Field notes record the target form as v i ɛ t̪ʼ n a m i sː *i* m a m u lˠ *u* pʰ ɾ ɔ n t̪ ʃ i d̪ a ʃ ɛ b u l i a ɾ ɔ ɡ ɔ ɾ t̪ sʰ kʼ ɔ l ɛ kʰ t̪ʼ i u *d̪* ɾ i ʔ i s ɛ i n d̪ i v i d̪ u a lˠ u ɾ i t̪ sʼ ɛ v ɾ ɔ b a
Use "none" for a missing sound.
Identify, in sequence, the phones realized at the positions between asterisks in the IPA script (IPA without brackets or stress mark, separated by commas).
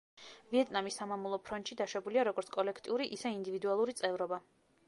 a, ɔ, none